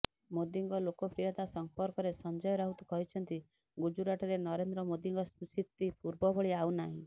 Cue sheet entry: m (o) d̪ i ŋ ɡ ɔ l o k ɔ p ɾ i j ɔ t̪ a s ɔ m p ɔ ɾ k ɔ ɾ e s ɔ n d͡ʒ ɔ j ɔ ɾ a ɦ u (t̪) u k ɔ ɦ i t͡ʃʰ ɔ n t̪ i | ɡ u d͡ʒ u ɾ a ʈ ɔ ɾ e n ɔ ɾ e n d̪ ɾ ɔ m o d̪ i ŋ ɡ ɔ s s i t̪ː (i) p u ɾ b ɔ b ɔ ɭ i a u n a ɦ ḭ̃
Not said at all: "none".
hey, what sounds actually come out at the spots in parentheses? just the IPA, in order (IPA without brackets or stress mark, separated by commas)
o, t̪, i